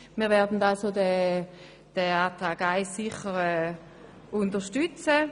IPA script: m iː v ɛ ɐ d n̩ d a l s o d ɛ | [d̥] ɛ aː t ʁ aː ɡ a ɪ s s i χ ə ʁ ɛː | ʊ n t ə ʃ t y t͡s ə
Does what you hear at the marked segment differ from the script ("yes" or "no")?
no